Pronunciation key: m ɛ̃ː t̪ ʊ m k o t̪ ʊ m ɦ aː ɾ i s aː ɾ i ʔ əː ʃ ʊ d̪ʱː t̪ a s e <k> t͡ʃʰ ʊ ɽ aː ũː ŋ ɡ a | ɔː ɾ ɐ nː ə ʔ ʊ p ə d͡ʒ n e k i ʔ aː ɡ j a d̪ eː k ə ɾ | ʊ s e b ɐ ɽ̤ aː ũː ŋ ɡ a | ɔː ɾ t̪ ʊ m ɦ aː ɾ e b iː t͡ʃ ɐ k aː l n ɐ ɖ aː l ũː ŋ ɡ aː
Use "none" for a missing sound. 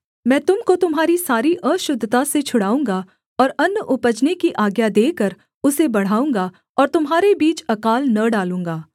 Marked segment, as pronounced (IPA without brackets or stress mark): none